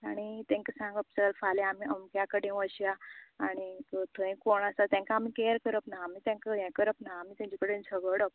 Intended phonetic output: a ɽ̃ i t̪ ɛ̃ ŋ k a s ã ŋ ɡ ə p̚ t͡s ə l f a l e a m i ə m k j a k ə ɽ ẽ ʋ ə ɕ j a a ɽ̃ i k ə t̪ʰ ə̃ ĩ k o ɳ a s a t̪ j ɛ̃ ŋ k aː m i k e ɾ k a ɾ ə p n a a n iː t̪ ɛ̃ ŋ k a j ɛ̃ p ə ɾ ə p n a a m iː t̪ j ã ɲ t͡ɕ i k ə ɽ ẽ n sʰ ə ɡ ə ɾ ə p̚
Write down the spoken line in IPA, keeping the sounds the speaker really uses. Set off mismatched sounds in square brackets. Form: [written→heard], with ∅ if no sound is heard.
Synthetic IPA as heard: a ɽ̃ i t̪ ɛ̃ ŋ k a s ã ŋ ɡ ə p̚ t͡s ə l f a l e a m i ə m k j a k ə ɽ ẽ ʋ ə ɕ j a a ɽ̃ i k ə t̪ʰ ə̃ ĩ k o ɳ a s a t̪ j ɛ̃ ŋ k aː m i k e ɾ k [a→ə] ɾ ə p n a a [n→m] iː t̪ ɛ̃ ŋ k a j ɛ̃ [p→k] ə ɾ ə p n a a m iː t̪ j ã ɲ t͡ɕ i k ə ɽ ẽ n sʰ ə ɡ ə [ɾ→ɽ] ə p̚